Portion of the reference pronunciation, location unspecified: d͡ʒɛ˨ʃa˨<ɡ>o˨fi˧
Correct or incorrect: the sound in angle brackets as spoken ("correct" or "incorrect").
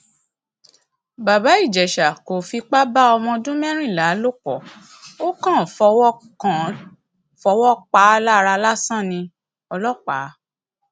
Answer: incorrect